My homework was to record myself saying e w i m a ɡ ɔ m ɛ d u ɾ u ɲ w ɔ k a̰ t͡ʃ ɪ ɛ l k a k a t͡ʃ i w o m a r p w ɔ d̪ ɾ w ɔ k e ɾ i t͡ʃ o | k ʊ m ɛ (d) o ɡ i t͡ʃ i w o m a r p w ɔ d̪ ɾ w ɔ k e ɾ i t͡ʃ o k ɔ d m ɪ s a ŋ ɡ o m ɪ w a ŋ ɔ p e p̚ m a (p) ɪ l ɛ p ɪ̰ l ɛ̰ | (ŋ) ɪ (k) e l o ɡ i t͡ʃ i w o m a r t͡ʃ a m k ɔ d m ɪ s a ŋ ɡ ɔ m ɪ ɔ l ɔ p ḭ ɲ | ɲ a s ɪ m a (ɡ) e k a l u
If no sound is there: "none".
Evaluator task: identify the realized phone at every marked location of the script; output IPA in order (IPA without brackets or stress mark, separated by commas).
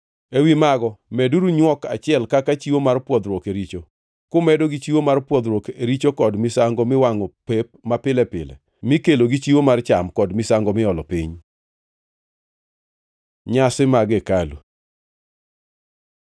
d, p, m, k, ɡ